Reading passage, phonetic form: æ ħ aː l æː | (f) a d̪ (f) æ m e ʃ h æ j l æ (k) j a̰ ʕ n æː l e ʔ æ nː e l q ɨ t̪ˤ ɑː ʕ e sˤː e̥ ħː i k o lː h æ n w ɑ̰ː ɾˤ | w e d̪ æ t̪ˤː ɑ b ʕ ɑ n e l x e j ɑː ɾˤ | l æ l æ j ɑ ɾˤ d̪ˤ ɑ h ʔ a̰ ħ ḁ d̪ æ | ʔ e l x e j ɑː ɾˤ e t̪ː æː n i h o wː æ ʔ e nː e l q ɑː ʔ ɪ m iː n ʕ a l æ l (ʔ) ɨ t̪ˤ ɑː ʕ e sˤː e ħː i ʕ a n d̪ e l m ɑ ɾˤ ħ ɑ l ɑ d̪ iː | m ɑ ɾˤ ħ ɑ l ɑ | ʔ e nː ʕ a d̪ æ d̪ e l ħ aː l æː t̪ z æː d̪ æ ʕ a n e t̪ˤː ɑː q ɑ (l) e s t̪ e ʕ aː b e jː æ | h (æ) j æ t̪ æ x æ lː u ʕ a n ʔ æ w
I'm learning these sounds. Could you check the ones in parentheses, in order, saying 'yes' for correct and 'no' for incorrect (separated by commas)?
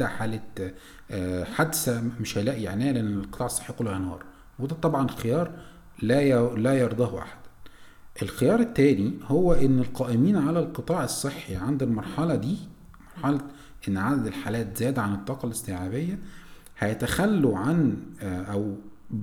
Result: no, no, no, no, yes, yes